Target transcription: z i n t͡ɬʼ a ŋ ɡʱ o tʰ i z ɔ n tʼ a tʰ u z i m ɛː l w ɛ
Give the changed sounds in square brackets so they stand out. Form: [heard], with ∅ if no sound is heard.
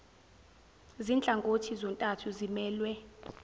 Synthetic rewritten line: z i n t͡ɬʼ a ŋ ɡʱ o tʰ i z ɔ n tʼ a tʰ u z i m ɛː l w ɛ